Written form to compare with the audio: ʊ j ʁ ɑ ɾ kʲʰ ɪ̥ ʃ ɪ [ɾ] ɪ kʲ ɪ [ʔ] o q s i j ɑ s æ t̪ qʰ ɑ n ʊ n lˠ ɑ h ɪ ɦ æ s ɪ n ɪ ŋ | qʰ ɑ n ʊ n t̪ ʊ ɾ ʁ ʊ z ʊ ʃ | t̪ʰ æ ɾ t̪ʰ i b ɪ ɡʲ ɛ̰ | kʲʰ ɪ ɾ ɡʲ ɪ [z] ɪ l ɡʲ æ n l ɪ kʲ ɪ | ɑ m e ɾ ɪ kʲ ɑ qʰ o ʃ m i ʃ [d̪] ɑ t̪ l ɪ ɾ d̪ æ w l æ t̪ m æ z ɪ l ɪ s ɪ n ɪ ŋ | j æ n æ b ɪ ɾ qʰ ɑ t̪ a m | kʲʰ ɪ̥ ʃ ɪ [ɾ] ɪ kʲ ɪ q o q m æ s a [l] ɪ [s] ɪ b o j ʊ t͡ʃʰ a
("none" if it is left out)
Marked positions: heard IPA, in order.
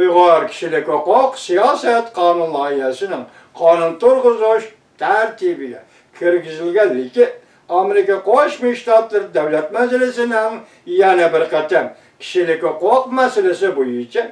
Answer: l, q, z, t̪, l, l, s

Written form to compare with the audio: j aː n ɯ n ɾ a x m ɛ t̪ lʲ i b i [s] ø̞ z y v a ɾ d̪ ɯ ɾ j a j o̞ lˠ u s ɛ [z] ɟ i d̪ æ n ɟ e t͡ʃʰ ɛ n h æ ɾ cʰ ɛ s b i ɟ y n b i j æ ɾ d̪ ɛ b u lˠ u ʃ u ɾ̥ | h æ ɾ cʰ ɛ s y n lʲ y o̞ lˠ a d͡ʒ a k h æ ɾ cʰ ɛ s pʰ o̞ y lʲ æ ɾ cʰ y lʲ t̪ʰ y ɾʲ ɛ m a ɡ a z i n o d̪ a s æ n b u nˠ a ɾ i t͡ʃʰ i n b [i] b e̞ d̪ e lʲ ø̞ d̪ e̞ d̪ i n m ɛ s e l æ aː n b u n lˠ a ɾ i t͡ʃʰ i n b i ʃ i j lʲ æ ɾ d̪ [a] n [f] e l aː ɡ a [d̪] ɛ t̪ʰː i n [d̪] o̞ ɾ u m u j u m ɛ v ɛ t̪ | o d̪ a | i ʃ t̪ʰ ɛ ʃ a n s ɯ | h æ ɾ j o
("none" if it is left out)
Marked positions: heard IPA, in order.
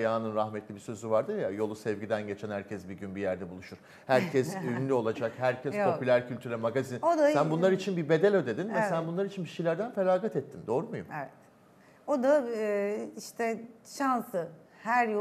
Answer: s, v, i, æ, f, t̪, d̪

